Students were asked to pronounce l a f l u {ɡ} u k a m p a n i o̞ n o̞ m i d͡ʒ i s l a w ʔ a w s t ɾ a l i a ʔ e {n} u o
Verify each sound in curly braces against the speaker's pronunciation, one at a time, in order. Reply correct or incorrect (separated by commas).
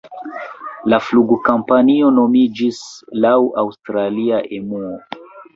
correct, incorrect